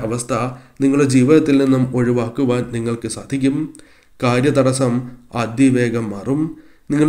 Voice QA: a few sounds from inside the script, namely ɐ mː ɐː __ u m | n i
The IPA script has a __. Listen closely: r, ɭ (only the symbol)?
r